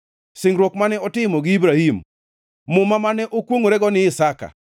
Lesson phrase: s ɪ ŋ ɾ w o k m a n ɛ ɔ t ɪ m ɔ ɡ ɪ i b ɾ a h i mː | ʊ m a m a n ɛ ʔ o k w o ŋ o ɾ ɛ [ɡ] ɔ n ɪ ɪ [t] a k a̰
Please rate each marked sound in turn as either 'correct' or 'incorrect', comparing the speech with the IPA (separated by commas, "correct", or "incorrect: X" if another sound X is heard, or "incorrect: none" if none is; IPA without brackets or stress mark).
correct, incorrect: s